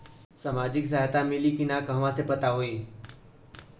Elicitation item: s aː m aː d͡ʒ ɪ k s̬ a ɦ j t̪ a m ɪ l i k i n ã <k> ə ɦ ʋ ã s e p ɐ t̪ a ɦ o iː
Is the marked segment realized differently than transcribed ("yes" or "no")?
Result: no